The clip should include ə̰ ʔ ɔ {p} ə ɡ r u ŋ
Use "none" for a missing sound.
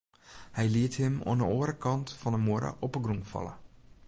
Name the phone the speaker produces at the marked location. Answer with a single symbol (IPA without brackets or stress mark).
p